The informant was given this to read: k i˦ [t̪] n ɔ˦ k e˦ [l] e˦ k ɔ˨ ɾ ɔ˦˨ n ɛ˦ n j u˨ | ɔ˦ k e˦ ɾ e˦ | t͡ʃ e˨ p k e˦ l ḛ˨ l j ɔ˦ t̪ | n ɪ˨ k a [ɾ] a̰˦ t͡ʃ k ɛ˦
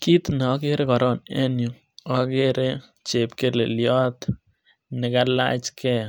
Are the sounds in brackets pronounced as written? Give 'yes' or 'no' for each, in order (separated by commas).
yes, no, no